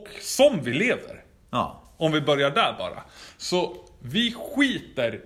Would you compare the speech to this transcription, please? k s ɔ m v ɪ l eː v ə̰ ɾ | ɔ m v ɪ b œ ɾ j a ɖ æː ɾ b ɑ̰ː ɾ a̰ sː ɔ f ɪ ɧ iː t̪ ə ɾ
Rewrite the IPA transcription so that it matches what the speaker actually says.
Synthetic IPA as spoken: k s ɔ m v ɪ l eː v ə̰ ɾ | ɔ m v ɪ b œ ɾ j a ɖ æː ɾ b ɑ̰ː ɾ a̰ s ɔ v ɪ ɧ iː t̪ ə ɾ